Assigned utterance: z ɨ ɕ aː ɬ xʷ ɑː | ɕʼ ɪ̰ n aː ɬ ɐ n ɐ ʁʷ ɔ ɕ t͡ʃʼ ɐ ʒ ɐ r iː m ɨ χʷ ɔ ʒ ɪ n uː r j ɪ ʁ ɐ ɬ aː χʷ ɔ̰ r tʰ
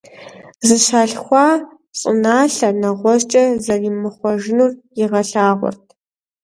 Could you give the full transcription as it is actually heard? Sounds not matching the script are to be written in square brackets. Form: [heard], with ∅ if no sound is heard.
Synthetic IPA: z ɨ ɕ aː ɬ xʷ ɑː | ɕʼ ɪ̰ n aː ɬ ɐ n ɐ ʁʷ ɔ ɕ t͡ʃʼ ɐ [z] ɐ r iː m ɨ χʷ ɔ ʒ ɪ n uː r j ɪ ʁ ɐ ɬ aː [ʁʷ] ɔ̰ r tʰ